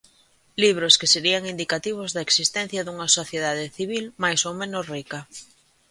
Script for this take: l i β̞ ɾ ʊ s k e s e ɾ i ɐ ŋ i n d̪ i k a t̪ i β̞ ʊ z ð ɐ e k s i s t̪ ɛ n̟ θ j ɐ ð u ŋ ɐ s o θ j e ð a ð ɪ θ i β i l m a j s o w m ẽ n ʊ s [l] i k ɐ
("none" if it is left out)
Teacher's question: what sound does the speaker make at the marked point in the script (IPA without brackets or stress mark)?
r